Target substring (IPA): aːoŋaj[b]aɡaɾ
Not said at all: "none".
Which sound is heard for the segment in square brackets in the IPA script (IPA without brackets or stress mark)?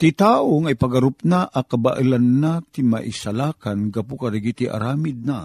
p